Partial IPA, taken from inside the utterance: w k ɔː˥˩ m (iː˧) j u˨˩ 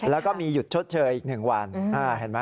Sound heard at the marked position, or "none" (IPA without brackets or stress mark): iː˧